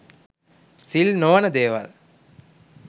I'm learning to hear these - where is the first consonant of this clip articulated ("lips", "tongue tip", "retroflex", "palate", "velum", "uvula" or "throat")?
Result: tongue tip